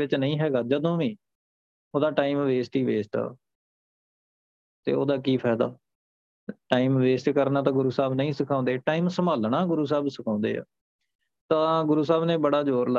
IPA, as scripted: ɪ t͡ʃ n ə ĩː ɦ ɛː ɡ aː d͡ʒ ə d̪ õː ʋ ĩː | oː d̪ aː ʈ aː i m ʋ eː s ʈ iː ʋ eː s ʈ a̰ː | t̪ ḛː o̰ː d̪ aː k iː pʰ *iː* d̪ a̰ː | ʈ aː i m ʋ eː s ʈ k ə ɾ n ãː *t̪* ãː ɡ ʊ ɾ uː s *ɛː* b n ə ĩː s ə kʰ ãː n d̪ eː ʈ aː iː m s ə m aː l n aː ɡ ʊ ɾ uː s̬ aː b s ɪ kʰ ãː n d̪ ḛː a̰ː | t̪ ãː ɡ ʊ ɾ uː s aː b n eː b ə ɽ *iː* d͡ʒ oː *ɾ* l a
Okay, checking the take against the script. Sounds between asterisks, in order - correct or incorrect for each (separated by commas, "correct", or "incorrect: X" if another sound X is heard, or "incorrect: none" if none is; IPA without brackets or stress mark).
incorrect: ɛː, correct, incorrect: aː, incorrect: aː, correct